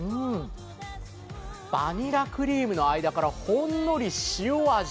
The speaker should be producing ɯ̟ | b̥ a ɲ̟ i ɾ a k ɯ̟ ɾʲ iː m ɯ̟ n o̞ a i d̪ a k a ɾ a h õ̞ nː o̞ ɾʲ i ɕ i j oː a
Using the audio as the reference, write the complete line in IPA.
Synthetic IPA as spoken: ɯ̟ | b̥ a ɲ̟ i ɾ a k ɯ̟ ɾʲ iː m ɯ̟ n o̞ a i d̪ a k a ɾ a h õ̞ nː o̞ ɾʲ i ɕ i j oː a